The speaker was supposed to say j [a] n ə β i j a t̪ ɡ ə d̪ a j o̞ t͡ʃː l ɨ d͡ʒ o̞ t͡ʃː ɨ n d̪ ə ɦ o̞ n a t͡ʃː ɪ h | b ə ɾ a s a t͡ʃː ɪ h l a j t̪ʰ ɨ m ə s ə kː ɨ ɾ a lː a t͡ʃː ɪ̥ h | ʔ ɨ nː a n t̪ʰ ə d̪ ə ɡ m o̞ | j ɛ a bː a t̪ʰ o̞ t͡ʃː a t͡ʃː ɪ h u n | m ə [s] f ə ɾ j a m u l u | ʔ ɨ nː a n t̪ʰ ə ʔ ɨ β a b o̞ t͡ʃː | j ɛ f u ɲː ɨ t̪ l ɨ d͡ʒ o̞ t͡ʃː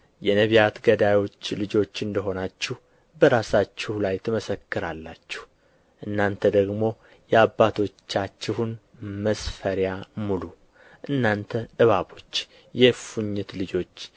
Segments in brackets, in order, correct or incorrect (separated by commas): incorrect, correct